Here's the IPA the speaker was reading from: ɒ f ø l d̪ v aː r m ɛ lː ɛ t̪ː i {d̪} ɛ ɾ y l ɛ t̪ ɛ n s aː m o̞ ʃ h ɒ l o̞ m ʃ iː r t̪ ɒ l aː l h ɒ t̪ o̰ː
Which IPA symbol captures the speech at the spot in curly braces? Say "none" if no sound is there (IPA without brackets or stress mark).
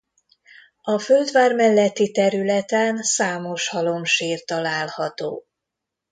t̪